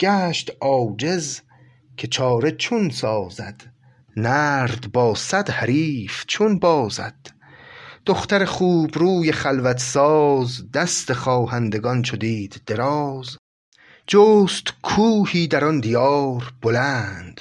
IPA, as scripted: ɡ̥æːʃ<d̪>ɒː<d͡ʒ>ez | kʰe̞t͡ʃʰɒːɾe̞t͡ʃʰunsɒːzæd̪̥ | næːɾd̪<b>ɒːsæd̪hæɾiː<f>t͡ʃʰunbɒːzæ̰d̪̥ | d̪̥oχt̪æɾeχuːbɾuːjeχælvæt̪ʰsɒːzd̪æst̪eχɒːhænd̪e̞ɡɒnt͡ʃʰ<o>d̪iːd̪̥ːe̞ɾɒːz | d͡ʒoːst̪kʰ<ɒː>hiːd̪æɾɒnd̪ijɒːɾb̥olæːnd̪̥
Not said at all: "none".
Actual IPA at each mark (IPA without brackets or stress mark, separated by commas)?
t̪, d͡ʒ, b, f, o, uː